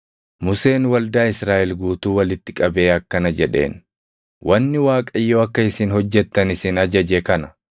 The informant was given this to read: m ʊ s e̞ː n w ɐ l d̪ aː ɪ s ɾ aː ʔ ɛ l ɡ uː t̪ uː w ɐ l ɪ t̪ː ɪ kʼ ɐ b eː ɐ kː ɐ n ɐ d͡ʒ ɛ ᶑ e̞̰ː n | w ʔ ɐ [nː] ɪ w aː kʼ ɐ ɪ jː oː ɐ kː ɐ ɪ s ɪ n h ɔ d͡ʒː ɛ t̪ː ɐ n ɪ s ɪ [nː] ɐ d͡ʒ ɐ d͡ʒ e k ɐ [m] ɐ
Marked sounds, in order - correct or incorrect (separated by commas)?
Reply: correct, incorrect, incorrect